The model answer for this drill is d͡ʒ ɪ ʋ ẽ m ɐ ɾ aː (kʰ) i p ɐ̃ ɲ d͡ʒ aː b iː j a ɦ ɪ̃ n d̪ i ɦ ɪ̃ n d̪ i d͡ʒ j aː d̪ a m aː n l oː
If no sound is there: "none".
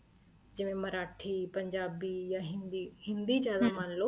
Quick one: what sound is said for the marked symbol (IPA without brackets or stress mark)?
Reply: ʈʰ